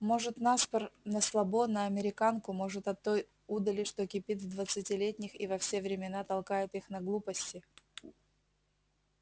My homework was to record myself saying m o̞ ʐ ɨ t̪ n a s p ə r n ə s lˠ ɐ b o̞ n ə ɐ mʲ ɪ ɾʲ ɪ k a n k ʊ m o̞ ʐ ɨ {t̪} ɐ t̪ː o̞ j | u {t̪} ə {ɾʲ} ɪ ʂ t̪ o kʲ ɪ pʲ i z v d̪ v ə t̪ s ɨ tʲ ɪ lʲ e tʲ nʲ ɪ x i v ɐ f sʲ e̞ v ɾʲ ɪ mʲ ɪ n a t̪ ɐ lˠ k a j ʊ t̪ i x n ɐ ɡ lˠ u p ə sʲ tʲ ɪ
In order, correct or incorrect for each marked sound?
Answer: correct, incorrect, incorrect

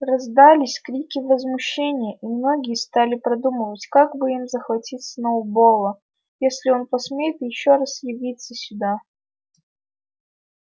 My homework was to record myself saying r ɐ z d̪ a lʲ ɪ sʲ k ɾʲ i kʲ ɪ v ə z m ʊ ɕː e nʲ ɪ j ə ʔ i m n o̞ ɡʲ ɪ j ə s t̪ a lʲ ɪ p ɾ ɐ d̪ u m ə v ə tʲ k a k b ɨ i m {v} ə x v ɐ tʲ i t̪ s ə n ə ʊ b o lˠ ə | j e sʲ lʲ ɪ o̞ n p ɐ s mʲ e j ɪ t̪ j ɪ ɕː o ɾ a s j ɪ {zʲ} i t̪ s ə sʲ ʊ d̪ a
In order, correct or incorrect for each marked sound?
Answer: incorrect, incorrect

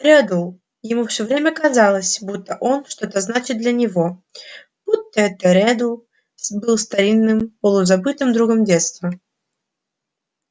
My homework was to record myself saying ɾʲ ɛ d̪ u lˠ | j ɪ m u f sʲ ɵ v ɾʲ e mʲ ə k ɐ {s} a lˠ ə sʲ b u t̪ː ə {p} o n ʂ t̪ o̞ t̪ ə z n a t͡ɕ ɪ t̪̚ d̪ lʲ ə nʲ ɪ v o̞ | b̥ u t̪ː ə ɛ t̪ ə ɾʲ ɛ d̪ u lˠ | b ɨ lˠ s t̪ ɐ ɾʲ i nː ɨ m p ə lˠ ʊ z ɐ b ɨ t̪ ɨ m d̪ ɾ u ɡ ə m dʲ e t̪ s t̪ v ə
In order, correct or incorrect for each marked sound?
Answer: incorrect, incorrect

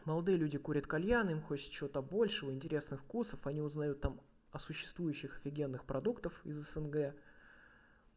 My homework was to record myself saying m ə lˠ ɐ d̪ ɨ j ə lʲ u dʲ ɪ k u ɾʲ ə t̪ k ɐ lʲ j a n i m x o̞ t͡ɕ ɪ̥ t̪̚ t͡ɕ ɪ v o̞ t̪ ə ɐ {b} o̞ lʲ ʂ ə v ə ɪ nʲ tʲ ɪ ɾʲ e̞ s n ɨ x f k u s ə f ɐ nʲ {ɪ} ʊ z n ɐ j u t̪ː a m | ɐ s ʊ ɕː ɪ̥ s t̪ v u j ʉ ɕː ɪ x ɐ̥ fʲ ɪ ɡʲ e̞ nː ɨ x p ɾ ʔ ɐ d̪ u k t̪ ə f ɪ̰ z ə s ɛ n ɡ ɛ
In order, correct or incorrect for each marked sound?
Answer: correct, incorrect

